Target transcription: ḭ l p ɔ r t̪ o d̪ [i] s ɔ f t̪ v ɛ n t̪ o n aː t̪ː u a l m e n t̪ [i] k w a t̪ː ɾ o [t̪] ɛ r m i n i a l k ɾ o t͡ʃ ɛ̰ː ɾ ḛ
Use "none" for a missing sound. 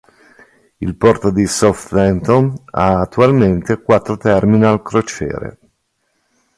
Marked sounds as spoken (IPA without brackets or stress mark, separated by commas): i, e, t̪